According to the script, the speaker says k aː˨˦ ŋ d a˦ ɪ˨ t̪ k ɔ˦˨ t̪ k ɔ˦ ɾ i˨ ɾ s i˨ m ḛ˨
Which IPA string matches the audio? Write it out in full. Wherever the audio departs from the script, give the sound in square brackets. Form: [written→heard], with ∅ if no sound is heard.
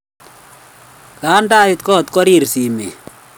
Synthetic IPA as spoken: k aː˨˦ [ŋ→n] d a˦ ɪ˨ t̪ k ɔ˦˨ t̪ k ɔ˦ ɾ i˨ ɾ s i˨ m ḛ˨

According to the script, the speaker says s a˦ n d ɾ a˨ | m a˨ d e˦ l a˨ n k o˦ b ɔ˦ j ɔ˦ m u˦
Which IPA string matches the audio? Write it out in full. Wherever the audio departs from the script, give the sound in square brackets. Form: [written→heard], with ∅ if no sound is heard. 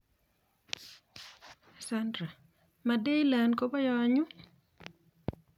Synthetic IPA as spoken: s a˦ n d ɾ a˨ | m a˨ d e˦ l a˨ n k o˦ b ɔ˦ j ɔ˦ [m→ɲ] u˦

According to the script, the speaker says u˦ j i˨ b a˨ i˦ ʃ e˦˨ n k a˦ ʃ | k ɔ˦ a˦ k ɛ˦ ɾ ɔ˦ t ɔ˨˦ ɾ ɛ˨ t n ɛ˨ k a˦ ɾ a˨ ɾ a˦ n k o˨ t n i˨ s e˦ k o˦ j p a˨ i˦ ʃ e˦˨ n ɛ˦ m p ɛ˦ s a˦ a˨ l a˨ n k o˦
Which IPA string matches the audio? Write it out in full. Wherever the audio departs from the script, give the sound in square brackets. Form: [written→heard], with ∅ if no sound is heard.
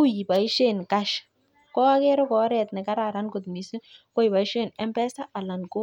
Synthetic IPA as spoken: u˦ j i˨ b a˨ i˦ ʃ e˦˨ n k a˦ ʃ | k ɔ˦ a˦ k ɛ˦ ɾ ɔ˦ [t→k] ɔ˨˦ ɾ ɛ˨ t n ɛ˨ k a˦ ɾ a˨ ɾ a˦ n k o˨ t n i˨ s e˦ k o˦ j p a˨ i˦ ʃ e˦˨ n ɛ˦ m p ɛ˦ s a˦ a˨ l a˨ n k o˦

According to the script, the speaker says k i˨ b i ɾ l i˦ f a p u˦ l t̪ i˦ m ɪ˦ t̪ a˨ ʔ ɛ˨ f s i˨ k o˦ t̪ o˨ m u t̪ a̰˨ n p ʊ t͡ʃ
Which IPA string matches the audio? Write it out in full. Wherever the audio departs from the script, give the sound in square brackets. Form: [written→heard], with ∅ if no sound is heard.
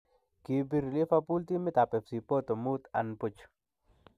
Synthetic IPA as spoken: k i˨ b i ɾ l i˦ f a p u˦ l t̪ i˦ m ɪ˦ t̪ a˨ [ʔ→p] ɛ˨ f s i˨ [k→p] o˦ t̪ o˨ m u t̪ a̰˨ n p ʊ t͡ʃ

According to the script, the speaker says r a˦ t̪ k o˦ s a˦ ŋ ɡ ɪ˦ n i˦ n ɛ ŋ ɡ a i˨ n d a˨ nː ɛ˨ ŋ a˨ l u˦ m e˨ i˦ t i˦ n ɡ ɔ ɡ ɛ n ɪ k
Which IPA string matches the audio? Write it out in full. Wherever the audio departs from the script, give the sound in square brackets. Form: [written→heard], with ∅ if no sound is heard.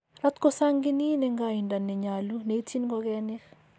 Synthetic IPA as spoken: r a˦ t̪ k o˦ s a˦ ŋ ɡ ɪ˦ n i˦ n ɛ ŋ ɡ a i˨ n d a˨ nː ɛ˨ [ŋ→ɲ] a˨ l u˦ [m→n] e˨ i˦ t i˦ n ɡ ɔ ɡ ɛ n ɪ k

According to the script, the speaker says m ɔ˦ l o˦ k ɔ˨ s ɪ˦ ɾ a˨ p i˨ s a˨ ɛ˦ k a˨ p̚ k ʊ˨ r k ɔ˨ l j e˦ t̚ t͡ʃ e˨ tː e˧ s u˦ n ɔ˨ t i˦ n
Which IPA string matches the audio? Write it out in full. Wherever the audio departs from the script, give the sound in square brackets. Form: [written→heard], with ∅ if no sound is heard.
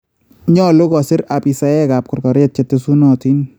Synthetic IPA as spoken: [m→ɲ] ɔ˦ l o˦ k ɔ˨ s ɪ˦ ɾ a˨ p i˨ s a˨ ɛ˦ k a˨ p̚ k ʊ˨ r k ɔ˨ [l→ɾ] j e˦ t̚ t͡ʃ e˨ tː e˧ s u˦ n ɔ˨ t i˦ n

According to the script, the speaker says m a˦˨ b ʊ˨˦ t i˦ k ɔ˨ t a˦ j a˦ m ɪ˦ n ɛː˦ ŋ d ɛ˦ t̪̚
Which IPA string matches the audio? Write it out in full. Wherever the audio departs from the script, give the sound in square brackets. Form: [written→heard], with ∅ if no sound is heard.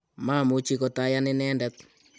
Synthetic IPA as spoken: m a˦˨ [b→m] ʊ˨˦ [t→t͡ʃ] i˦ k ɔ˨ t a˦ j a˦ [m→n] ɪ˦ n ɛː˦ [ŋ→n] d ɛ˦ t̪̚

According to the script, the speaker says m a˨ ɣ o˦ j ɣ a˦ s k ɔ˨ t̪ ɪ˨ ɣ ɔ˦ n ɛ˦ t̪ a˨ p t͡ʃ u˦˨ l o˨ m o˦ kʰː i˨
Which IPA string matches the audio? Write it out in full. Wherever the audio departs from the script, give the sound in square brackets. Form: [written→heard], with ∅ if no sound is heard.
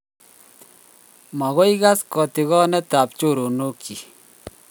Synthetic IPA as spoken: m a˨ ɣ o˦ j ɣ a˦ s k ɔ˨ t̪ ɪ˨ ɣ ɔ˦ n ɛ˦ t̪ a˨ p t͡ʃ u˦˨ [l→ɾ] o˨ [m→n] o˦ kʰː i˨

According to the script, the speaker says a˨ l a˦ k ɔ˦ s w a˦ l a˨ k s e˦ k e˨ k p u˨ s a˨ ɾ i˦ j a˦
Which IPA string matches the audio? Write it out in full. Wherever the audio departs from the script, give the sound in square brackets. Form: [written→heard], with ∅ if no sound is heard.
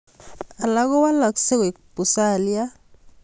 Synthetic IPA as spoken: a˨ l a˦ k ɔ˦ [s→∅] w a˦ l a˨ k s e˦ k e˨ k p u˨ s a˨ [ɾ→l] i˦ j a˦

